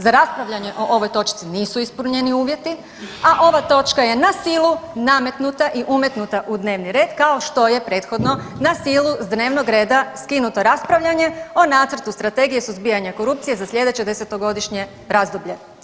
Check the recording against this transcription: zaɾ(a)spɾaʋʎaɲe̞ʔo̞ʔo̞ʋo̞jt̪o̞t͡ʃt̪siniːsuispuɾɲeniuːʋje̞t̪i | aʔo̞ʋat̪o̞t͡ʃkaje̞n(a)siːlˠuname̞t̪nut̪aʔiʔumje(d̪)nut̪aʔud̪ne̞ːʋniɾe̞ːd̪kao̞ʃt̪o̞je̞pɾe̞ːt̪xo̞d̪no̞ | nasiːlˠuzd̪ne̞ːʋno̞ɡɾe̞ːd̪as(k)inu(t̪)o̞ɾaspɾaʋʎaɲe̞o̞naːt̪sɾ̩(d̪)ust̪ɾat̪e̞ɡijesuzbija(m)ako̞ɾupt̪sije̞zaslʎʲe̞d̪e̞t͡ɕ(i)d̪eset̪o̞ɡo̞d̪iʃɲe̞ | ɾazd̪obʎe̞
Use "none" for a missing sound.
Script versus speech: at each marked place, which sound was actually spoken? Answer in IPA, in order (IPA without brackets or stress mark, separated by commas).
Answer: a, a, t̪, k, t̪, t̪, ɲ, e